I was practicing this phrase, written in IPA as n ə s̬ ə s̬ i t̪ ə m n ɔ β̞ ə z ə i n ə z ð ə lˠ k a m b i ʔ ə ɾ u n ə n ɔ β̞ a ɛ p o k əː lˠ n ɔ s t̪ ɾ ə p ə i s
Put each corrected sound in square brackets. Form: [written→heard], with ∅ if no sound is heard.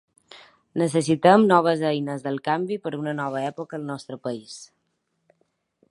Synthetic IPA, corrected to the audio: n ə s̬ ə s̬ i t̪ ə m n ɔ β̞ ə z ə [i→j] n ə z ð ə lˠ k a m b i [ʔ→p] ə ɾ u n ə n ɔ β̞ [a→ə] ɛ p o k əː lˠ n ɔ s t̪ ɾ ə p ə i s